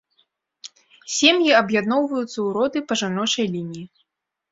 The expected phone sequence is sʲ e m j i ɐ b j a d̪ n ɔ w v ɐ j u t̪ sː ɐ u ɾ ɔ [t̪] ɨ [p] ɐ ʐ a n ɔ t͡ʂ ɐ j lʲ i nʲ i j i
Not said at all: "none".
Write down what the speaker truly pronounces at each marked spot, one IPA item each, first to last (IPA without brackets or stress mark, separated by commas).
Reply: d̪, p